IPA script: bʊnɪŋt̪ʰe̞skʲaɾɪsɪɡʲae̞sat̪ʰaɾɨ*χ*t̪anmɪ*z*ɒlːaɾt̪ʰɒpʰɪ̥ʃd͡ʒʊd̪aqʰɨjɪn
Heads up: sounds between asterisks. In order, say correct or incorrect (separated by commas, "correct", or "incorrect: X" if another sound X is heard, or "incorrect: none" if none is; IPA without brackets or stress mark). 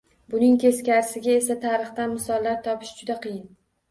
correct, incorrect: s